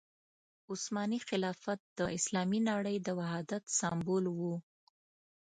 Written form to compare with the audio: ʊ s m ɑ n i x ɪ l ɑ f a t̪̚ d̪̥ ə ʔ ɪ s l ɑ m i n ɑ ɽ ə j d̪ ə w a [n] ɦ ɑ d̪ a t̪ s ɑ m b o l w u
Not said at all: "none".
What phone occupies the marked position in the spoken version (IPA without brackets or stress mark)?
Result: none